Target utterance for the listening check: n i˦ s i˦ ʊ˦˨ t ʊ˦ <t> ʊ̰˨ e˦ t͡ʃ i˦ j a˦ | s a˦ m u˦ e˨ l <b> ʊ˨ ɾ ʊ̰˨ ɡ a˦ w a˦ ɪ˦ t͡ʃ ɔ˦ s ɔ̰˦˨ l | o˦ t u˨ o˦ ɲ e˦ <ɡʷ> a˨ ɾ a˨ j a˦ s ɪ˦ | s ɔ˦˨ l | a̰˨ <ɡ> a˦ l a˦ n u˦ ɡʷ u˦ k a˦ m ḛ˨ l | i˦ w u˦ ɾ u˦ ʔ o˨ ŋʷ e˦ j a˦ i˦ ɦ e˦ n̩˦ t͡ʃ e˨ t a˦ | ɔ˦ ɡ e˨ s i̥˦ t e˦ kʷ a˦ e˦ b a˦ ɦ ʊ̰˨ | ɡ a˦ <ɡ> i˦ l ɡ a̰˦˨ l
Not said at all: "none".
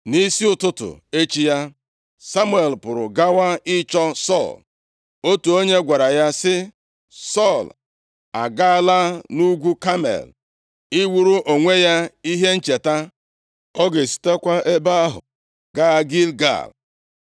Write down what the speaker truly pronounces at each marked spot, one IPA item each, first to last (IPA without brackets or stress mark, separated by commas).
t, p, ɡʷ, ɡ, ɡ